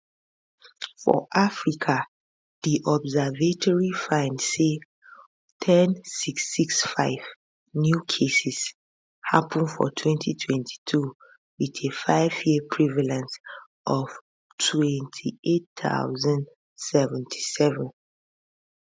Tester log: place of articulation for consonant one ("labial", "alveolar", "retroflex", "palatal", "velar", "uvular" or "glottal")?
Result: labial